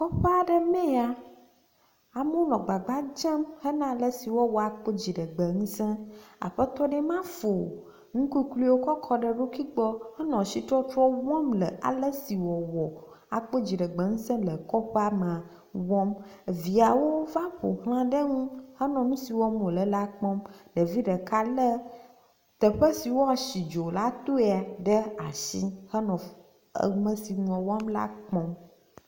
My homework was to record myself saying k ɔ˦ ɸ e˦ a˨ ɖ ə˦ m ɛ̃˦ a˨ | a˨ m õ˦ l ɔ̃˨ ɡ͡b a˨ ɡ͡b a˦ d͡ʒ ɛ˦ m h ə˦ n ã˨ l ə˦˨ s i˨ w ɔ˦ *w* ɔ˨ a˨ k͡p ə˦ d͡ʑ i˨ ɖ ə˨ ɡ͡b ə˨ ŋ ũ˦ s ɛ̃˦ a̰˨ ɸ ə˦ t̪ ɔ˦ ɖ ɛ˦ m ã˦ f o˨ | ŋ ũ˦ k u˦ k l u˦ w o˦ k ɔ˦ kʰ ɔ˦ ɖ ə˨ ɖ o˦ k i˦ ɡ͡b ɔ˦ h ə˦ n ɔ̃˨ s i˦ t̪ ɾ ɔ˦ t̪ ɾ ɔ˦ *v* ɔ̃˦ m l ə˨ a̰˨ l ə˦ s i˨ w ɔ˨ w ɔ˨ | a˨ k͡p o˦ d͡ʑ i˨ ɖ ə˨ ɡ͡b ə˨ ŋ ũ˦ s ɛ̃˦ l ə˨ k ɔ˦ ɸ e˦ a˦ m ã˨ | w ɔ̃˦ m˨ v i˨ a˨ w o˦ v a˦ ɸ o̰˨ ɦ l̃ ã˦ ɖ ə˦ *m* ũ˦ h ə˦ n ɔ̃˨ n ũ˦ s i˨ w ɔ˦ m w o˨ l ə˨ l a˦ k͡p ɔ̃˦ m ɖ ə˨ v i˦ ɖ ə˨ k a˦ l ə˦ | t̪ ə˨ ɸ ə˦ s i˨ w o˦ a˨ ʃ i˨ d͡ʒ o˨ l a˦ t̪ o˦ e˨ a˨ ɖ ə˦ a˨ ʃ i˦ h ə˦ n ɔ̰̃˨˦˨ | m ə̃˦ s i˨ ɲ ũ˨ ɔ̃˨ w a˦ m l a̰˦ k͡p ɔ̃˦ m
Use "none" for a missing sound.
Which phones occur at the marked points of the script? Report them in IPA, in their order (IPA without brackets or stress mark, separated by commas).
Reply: w, w, ŋ